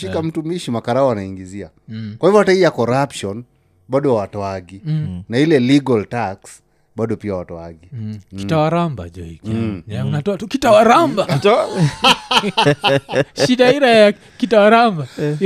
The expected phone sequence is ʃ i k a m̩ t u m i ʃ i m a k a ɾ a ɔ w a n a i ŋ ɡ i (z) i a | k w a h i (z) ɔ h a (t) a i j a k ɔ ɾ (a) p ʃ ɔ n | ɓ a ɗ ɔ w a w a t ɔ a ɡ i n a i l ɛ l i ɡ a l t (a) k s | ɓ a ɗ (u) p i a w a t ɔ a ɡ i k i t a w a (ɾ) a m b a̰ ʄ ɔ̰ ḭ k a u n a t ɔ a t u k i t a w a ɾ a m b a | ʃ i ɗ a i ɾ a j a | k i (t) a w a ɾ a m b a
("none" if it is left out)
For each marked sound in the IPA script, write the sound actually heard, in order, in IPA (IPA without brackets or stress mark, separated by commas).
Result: z, v, t, a, a, ɔ, ɾ, t